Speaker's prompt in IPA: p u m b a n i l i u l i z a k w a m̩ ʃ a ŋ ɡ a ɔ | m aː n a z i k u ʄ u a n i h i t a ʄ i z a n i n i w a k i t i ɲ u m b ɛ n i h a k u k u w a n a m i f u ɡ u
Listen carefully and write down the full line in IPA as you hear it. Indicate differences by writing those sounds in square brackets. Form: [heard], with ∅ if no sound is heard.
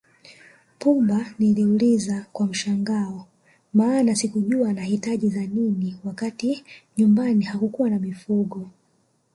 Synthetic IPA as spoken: p u m b a n i l i u l i z a k w a m̩ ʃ a ŋ ɡ a ɔ | m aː n a [s] i k u ʄ u a n [a] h i t a ʄ i z a n i n i w a k [a] t i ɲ u m b [a] n i h a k u k u w a n a m i f u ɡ [ɔ]